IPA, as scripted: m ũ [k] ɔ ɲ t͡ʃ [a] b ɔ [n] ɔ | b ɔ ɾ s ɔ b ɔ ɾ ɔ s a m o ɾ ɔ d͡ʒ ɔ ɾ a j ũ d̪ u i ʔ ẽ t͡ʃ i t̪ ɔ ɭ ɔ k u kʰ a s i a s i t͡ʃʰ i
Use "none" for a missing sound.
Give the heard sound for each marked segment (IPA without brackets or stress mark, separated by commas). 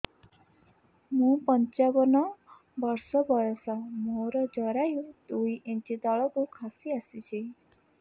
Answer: p, a, n